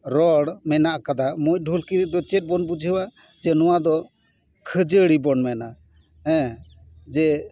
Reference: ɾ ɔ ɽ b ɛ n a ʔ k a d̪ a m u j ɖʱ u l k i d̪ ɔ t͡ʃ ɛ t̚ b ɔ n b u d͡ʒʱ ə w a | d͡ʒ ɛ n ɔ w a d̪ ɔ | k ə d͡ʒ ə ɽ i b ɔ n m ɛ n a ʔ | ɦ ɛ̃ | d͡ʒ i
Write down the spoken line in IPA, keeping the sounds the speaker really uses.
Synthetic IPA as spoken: ɾ ɔ ɽ m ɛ n a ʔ k a d̪ a m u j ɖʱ u l k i d̪ ɔ t͡ʃ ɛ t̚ b ɔ n b u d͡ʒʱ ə w a | d͡ʒ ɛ n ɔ w a d̪ ɔ | kʰ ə d͡ʒ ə ɽ i b ɔ n m ɛ n a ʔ | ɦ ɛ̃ | d͡ʒ ɛ